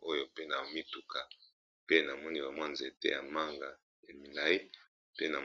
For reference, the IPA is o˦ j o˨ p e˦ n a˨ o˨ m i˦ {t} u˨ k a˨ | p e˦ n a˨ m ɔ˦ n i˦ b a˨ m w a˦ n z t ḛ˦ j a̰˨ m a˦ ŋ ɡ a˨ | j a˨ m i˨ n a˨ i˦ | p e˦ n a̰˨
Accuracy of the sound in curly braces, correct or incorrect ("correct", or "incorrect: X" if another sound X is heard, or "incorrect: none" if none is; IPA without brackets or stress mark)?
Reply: correct